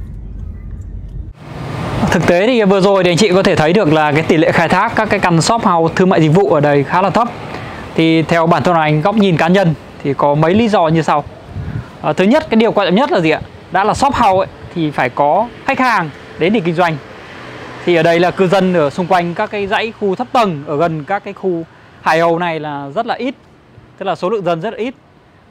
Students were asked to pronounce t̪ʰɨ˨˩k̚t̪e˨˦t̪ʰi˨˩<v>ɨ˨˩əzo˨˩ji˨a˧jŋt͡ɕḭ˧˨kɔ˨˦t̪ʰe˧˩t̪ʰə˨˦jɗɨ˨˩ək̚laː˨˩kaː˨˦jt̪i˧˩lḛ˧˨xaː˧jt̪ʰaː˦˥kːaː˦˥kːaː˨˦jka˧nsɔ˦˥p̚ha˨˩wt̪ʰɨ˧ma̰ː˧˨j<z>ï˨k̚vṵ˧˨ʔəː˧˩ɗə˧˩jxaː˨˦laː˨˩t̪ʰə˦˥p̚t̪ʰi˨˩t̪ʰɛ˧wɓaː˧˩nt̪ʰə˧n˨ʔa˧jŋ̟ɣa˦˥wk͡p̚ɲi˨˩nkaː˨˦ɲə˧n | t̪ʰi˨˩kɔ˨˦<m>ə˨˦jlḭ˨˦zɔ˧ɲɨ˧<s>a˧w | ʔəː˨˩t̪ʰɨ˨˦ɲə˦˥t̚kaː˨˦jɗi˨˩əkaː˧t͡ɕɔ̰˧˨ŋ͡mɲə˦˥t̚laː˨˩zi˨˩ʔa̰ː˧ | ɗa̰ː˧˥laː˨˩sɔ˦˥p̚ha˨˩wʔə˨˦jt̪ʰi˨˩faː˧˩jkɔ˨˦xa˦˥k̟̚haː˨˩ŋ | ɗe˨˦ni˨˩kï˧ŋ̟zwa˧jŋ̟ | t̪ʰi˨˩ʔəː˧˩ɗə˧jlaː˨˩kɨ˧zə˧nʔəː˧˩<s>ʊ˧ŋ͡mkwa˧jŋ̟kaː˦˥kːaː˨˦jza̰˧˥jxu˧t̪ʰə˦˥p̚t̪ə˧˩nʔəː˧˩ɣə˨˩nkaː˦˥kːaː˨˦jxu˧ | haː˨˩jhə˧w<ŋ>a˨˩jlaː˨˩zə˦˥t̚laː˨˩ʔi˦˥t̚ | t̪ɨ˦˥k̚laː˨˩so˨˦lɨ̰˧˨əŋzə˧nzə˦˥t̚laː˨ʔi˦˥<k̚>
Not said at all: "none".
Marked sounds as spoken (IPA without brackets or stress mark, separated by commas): v, z, m, s, s, n, t̚